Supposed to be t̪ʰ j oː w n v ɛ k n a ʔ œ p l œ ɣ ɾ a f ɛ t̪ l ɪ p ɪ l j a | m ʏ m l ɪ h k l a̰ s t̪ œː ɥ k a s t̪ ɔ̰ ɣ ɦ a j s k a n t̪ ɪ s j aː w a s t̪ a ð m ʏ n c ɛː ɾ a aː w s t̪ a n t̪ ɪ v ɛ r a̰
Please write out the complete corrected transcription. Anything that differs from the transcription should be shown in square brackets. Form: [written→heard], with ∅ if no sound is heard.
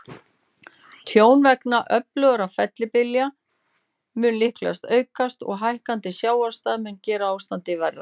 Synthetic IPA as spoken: t̪ʰ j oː w n v ɛ k n a ʔ œ p l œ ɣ ɾ a f ɛ t̪ l ɪ p ɪ l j a | m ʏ [m→n] l ɪ h k l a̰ s t̪ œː ɥ k a s t̪ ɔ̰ ɣ ɦ a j [s→h] k a n t̪ ɪ s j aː w a s t̪ a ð m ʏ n c ɛː ɾ a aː w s t̪ a n t̪ ɪ v ɛ r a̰

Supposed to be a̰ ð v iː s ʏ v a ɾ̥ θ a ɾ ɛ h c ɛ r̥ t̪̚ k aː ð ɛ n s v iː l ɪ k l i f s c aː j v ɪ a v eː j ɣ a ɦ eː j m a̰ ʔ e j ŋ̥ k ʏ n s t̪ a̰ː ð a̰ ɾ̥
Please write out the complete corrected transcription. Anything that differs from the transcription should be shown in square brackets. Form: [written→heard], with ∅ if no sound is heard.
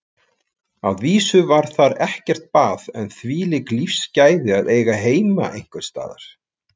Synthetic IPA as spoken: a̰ ð v iː s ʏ v a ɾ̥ θ a ɾ ɛ h c ɛ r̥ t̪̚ [k→p] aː ð ɛ n [s→θ] v iː l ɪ k l i f s c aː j [v→ð] ɪ a [v→ð] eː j ɣ a ɦ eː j m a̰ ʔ e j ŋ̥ k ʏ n s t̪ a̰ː ð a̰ ɾ̥

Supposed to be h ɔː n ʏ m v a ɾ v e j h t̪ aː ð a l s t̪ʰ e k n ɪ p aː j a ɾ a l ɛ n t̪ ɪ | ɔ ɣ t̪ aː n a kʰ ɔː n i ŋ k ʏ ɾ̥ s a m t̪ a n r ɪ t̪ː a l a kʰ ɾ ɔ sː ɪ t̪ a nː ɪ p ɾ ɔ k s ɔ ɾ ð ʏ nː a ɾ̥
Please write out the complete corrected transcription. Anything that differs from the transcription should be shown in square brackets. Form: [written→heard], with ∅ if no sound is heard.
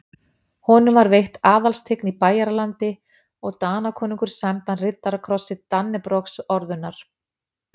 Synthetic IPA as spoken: h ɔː n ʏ m v a ɾ v e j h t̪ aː ð a l s t̪ʰ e k n [ɪ→i] p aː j a ɾ a l [ɛ→a] n t̪ ɪ | ɔ ɣ t̪ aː n a kʰ ɔː n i ŋ k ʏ ɾ̥ s a m t̪ a n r ɪ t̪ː a [l→ɾ] a kʰ ɾ ɔ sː ɪ t̪ a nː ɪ p ɾ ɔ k s ɔ ɾ ð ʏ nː a ɾ̥

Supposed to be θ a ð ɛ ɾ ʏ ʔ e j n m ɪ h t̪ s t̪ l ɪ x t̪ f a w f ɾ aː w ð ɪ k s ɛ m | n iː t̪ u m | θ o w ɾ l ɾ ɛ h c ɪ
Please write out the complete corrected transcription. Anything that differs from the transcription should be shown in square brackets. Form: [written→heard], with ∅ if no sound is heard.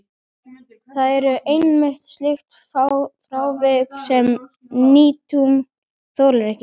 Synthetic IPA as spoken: θ a ð ɛ ɾ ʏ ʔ e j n m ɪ h t̪ s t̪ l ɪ x t̪ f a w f ɾ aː w [ð→v] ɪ k s ɛ m | n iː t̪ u m | θ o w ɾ l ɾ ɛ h c ɪ

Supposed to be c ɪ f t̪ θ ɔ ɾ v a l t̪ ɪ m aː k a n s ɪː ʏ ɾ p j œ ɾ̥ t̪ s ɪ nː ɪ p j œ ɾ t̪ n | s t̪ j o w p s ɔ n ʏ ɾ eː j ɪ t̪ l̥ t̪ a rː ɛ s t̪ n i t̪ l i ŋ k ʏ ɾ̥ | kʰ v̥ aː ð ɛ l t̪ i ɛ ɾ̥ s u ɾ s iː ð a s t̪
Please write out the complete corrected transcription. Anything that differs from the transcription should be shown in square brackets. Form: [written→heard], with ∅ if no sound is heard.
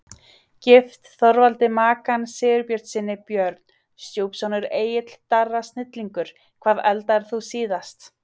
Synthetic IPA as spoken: c ɪ f t̪ θ ɔ ɾ v a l t̪ ɪ m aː k a n s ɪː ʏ ɾ p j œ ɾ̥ t̪ s ɪ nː ɪ p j œ ɾ t̪ n | s t̪ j o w p s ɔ n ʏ ɾ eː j ɪ t̪ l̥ t̪ a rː [ɛ→a] s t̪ n [i→ɪ] t̪ l i ŋ k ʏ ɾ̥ | kʰ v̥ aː ð ɛ l t̪ [i→a] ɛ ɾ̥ [s→θ] u [ɾ→∅] s iː ð a s t̪

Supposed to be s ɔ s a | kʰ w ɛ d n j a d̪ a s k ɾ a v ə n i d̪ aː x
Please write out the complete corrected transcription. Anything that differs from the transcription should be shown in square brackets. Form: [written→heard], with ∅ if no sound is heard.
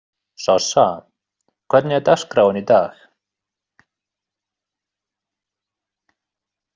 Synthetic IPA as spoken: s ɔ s a | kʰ w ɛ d n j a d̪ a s k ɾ a [v→w] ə n i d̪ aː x

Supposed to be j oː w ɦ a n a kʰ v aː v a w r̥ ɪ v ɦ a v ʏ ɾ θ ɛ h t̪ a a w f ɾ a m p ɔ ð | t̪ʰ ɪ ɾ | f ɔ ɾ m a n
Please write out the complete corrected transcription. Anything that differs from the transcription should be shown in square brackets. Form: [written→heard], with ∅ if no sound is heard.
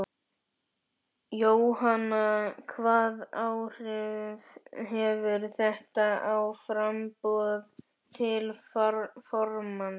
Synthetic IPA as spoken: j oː w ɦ a n a kʰ v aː [v→ð] a w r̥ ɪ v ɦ [a→ɛ] v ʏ ɾ θ ɛ h t̪ a a w f ɾ a m p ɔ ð | t̪ʰ ɪ [ɾ→l] | f ɔ ɾ m a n

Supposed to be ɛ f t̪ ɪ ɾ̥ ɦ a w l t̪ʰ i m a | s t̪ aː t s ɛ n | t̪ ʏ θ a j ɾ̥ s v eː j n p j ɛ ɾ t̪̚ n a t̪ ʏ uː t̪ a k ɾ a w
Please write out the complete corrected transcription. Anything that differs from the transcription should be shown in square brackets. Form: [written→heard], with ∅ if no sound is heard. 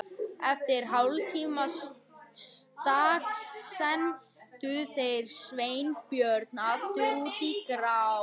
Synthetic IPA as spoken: ɛ f t̪ ɪ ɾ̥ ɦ a w l t̪ʰ i m a | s t̪ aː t s ɛ n | t̪ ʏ θ [a→e] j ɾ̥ s v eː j n p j [ɛ→œ] ɾ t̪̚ n a t̪ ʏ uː t̪ [a→i] k ɾ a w

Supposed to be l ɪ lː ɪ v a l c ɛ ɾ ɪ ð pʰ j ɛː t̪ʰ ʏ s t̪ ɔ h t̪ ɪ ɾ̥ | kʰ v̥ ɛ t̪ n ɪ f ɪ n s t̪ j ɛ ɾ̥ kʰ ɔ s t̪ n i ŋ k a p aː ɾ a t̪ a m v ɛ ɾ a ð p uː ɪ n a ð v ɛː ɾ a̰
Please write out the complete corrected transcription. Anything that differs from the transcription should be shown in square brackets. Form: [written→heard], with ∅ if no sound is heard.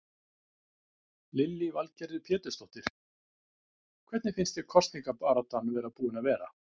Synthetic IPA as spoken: l ɪ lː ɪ v a l c ɛ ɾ ɪ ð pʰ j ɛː [t̪ʰ→t̪] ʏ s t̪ ɔ h t̪ ɪ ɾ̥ | kʰ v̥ ɛ t̪ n ɪ f ɪ n s t̪ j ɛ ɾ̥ kʰ ɔ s t̪ n i ŋ k a p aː ɾ a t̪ a [m→n] v ɛ ɾ a ð p uː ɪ n a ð v ɛː ɾ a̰

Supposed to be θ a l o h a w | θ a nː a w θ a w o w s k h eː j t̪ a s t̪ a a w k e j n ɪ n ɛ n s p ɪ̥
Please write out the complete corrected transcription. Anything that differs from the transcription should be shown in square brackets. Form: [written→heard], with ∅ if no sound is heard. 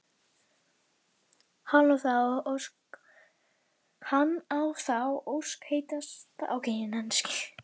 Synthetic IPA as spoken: [θ→h] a l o [h→θ] a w | [θ→h] a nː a w θ a w o w s k h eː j t̪ a s t̪ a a w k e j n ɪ n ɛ n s [p→c] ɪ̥

